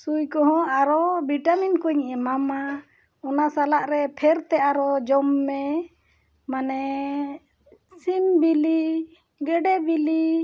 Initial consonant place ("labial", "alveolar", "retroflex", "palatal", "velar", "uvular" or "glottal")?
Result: alveolar